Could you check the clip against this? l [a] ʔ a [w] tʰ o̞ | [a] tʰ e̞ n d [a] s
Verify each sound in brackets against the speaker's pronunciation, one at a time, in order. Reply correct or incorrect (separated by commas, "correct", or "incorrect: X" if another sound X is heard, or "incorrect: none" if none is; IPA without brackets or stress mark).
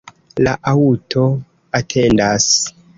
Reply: correct, incorrect: u, correct, correct